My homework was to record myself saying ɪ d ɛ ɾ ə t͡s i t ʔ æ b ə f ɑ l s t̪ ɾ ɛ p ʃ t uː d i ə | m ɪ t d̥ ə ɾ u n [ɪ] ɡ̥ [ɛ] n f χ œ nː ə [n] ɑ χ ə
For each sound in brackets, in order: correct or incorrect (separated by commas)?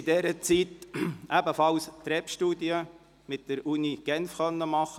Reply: incorrect, correct, incorrect